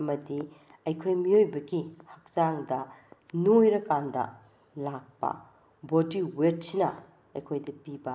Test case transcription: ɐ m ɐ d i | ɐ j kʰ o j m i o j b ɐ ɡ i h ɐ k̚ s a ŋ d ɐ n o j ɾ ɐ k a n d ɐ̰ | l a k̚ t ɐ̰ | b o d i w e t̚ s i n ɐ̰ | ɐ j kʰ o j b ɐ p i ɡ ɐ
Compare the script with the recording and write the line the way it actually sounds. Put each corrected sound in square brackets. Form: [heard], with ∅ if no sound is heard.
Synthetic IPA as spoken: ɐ m ɐ d i | ɐ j kʰ o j m i o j b ɐ ɡ i h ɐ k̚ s a ŋ d ɐ n o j ɾ ɐ k a n d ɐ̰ | l a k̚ [p] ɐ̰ | b o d i w e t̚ s i n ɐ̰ | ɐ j kʰ o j [d] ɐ p i [b] ɐ